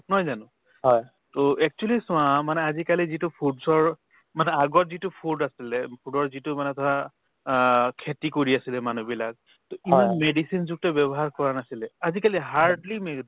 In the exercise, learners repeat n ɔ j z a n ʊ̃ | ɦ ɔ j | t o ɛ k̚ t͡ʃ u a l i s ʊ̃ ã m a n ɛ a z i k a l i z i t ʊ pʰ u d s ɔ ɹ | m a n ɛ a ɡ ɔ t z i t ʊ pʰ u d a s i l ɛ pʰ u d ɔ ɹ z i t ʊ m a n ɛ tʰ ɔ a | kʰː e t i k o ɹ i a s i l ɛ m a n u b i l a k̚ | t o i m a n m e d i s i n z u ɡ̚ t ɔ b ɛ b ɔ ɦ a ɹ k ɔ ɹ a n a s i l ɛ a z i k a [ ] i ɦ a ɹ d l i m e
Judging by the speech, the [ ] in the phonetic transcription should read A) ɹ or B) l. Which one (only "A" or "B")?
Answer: B